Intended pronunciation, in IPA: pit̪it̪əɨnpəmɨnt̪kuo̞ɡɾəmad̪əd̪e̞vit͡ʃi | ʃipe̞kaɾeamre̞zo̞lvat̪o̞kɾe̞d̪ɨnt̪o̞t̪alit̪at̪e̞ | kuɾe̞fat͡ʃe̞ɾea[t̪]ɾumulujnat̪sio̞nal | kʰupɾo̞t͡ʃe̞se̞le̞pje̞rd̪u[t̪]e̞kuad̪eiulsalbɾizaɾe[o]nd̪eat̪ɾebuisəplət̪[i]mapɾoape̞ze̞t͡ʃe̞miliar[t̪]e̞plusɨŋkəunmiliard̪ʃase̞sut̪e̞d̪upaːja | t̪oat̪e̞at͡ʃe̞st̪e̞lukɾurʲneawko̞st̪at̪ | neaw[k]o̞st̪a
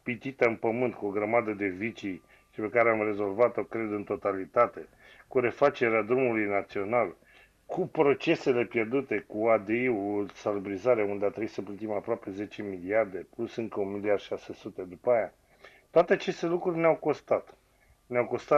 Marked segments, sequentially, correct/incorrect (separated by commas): incorrect, correct, incorrect, correct, incorrect, correct